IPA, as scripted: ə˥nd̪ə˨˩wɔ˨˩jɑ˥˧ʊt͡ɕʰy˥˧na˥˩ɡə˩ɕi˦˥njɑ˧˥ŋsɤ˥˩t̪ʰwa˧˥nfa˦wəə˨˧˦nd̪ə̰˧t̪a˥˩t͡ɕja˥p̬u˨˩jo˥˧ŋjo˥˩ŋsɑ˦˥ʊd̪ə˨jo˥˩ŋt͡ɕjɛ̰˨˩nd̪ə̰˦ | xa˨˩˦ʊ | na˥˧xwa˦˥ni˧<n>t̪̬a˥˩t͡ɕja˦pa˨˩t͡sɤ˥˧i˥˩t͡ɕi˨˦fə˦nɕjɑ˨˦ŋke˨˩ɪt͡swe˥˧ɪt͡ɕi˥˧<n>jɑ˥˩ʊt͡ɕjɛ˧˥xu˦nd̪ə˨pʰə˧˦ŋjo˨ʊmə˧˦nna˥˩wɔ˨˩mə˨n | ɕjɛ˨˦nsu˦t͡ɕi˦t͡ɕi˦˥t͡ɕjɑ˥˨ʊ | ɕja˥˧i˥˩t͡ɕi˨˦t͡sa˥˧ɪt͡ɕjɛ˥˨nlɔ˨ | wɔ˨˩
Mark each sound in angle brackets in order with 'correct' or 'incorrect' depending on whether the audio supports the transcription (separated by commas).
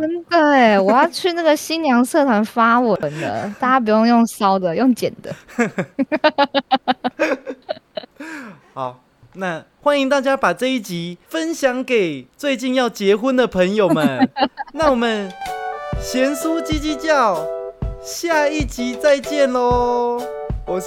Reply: incorrect, correct